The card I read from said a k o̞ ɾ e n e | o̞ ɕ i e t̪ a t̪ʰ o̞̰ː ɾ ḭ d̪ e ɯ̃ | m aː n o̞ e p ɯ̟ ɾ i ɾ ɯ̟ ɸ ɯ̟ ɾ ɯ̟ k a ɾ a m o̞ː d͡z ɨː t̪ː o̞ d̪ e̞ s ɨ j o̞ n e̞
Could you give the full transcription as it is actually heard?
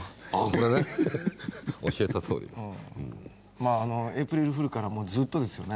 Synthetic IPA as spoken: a k o̞ ɾ e n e | o̞ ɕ i e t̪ a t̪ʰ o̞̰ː ɾ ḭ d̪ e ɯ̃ | m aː n o̞ e p ɯ̟ ɾ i ɾ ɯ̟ ɸ ɯ̟ ɾ ɯ̟ k a ɾ a m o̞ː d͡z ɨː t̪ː o̞ d̪ e̞ s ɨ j o̞ n e̞